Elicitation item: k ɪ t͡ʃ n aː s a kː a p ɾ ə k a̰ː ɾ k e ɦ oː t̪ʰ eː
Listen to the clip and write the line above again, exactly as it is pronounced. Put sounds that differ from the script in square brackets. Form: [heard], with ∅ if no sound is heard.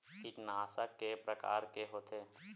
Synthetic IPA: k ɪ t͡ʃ n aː s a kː [e] p ɾ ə k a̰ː ɾ k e ɦ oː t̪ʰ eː